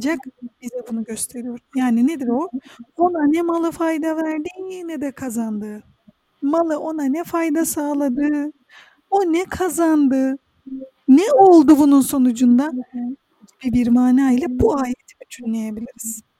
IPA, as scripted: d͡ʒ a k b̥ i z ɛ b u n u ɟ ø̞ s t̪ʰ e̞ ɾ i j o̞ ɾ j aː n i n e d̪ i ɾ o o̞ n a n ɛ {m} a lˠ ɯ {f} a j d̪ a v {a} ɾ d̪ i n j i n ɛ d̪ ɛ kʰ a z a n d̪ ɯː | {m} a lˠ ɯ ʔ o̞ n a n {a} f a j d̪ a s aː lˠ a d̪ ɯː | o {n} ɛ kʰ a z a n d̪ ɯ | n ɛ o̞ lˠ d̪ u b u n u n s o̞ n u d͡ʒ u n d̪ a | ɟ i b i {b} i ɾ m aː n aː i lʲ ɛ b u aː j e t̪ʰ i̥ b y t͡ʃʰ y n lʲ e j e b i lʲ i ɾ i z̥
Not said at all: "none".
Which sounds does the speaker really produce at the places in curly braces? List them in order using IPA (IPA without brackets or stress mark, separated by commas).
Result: m, f, æ, m, ɛ, n, b